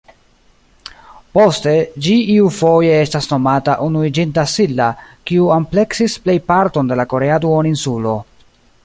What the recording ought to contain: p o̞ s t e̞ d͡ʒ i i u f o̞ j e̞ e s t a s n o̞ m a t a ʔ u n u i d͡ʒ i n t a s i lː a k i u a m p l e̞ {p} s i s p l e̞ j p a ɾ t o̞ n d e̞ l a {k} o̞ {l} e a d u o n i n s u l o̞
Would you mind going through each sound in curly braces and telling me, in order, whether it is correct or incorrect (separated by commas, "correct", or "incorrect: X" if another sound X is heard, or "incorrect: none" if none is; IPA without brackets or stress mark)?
incorrect: k, correct, incorrect: ɾ